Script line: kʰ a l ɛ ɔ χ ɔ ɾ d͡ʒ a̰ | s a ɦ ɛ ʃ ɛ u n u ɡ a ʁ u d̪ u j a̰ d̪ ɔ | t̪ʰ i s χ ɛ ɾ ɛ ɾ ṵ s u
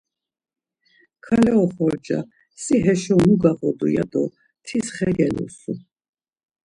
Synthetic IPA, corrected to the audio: kʰ a l ɛ ɔ χ ɔ ɾ d͡ʒ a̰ | s i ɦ ɛ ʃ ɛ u n u ɡ a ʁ ɔ d̪ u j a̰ d̪ ɔ | t̪ʰ i s χ ɛ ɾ ɛ l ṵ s u